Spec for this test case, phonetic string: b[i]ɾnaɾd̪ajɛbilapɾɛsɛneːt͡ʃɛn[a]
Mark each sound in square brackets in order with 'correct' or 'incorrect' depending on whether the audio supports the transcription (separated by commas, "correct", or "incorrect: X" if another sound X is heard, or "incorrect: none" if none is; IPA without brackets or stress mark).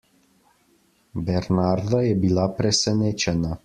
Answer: incorrect: ɛ, correct